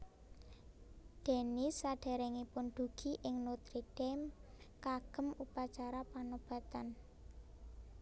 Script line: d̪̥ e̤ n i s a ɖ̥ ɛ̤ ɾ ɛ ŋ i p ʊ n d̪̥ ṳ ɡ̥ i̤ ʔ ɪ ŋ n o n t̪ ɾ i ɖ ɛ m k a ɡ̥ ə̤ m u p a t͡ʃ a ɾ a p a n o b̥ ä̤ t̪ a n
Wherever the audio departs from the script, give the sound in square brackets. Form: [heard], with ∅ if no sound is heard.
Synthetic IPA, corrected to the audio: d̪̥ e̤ n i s a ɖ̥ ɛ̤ ɾ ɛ ŋ i p ʊ n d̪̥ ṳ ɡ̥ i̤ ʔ ɪ ŋ n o [∅] t̪ ɾ i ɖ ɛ m k a ɡ̥ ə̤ m u p a t͡ʃ a ɾ a p a n o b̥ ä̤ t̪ a n